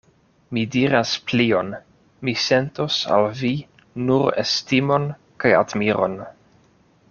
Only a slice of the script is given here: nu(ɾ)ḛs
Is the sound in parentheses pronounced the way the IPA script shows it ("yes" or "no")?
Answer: yes